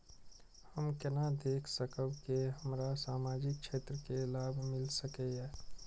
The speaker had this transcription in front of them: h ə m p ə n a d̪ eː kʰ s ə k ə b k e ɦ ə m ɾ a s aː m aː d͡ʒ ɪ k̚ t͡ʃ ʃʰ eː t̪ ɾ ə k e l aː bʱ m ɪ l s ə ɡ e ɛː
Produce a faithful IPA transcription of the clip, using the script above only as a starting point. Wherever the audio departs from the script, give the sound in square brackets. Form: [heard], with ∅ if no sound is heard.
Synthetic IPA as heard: h ə m [k] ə n a d̪ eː kʰ s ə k ə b k e ɦ ə m ɾ a s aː m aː d͡ʒ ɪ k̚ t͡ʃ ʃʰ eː t̪ ɾ ə k e l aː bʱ m ɪ l s ə [k] e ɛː